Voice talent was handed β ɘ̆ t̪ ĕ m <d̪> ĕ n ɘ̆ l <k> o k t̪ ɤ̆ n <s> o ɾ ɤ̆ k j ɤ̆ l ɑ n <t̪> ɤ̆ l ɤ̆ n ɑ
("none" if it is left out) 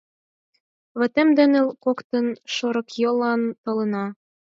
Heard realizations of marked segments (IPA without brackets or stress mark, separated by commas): d̪, k, ʃ, t̪